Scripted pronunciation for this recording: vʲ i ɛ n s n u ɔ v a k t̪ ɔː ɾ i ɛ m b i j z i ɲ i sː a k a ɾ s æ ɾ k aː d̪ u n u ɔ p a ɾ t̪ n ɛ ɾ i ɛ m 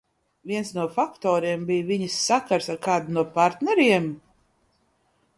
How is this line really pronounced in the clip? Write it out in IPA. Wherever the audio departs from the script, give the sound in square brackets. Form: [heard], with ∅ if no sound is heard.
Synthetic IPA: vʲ i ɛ n s n u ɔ [f] a k t̪ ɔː ɾ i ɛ m b i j [v] i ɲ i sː a k a ɾ s [a] ɾ k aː d̪ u n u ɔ p a ɾ t̪ n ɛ ɾ i ɛ m